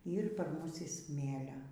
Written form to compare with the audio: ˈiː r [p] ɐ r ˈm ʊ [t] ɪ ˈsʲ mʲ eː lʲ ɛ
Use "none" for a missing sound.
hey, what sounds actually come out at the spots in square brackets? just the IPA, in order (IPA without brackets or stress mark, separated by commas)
p, s